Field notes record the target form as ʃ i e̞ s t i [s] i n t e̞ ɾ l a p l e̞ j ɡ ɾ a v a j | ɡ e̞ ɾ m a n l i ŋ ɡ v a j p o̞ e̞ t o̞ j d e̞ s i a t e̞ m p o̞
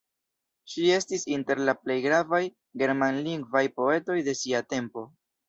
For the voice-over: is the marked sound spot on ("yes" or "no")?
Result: yes